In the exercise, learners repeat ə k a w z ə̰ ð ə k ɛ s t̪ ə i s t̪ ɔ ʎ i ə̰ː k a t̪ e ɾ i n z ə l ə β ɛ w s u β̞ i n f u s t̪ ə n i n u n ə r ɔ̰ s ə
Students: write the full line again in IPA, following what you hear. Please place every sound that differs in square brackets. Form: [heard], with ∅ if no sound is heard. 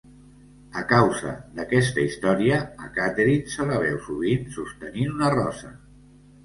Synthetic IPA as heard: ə k a w z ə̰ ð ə k ɛ s t̪ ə i s t̪ ɔ [ɾ] i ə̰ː k a t̪ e ɾ i n [s] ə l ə β ɛ w s u β̞ i n [s] u s t̪ ə n i n u n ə r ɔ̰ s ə